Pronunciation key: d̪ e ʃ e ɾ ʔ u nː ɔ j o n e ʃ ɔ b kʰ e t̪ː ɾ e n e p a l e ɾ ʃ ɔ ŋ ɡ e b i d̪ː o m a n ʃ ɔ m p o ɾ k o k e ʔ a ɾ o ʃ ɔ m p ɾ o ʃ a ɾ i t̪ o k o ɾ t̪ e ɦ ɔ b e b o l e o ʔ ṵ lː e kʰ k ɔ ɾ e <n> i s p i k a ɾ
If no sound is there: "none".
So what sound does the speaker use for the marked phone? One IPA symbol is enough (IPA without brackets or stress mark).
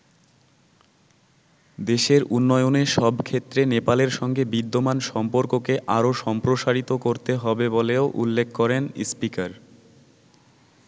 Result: n